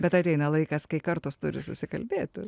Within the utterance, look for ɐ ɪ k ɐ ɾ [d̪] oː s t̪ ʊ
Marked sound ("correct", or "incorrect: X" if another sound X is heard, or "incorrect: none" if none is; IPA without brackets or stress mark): incorrect: t̪